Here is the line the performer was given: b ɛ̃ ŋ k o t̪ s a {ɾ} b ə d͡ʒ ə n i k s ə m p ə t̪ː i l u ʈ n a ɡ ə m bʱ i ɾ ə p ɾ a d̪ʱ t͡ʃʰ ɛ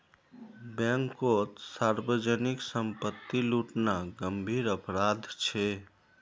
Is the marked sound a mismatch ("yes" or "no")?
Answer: no